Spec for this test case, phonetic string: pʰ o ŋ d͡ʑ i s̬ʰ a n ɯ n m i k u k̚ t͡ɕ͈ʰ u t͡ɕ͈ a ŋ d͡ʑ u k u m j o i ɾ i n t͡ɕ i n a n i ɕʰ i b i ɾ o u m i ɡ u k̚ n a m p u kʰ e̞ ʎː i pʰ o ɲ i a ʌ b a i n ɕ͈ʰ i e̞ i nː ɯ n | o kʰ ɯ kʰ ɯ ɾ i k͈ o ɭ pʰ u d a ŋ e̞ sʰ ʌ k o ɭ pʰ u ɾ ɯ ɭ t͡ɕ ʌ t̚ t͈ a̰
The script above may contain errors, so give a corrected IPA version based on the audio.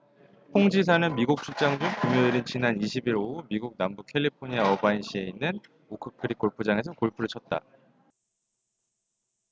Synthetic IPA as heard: pʰ o ŋ d͡ʑ i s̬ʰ a n ɯ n m i ɡ u k̚ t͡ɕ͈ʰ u t͡ɕ͈ a ŋ d͡ʑ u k u m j o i ɾ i n t͡ɕ i n a n i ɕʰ i b i ɾ o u m i ɡ u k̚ n a m b u kʰ e̞ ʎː i pʰ o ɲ i a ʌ b a i n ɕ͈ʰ i e̞ i nː ɯ n | o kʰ ɯ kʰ ɯ ɾ i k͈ o ɭ pʰ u d͡ʑ a ŋ e̞ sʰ ʌ k o ɭ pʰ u ɾ ɯ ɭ t͡ɕʰ ʌ t̚ t͈ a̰